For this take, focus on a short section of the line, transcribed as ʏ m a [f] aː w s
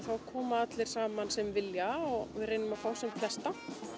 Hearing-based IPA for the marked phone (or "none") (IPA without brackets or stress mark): f